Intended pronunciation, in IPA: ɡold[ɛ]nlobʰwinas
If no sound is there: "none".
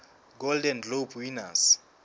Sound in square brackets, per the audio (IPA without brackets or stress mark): ɛ